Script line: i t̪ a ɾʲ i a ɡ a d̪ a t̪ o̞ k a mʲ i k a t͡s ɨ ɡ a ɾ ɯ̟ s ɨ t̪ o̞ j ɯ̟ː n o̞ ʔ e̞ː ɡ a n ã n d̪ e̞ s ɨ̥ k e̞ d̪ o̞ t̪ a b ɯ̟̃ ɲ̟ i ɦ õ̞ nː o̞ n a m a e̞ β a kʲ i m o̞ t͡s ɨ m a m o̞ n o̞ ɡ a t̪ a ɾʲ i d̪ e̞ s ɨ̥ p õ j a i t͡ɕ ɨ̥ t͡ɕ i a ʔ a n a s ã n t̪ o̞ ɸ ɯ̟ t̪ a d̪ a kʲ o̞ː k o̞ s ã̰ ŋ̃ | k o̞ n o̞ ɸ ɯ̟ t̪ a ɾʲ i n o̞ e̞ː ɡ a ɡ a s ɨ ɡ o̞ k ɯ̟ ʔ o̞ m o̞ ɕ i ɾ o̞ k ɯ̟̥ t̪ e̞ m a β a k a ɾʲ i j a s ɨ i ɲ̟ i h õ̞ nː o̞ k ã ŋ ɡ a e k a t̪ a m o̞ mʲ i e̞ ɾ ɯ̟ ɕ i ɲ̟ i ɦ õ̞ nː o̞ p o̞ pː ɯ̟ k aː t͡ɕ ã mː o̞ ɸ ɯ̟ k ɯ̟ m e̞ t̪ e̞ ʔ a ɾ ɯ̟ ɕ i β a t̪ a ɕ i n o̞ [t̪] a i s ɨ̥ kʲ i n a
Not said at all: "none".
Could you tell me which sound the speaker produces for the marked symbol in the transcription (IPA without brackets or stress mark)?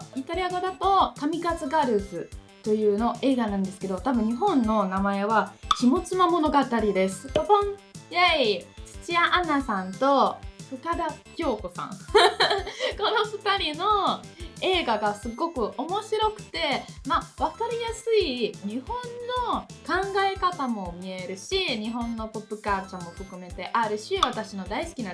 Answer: d̪